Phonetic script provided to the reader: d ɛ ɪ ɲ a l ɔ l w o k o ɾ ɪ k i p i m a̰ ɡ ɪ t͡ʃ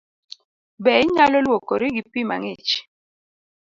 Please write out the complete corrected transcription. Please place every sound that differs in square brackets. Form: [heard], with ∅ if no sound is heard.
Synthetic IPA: [b] ɛ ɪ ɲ a l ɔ l w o k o ɾ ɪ [ɡ] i p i m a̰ [ŋ] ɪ t͡ʃ